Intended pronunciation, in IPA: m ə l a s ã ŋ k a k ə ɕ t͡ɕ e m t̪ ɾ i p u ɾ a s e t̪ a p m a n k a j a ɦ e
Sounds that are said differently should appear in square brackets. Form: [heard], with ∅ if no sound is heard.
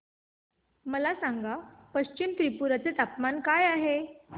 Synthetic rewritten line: m ə l a s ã ŋ [ɡ] a [p] ə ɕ t͡ɕ [i] m t̪ ɾ i p u ɾ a [t͡s] e t̪ a p m a n k a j a ɦ e